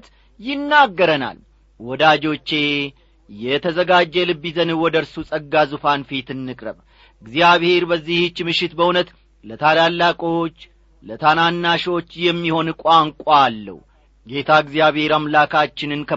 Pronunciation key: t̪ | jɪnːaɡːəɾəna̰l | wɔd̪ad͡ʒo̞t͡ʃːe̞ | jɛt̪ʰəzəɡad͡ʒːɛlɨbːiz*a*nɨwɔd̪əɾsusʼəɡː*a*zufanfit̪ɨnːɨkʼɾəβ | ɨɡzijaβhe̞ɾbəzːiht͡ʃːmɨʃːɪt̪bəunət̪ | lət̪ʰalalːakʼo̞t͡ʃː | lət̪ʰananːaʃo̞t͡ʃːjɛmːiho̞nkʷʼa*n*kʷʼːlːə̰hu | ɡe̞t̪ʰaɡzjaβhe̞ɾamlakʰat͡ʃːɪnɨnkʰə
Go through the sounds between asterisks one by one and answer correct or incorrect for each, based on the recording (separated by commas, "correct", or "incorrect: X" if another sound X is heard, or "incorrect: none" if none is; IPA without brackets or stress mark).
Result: incorrect: ə, correct, incorrect: ŋ